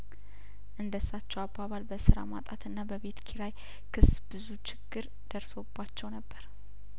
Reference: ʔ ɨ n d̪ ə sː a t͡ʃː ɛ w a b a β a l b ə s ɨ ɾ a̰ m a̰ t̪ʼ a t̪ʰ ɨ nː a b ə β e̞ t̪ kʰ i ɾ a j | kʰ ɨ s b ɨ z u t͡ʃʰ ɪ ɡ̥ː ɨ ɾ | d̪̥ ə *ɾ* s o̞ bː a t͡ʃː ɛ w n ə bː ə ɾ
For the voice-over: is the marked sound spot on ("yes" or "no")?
yes